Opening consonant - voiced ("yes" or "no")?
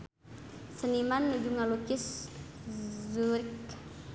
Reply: no